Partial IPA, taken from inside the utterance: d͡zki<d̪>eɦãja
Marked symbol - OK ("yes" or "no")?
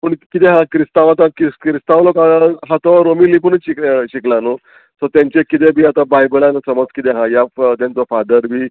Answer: no